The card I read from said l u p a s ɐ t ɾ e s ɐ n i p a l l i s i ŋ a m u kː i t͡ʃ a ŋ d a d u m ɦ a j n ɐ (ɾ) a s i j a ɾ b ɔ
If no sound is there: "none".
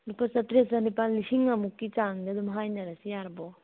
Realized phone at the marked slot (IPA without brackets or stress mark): ɾ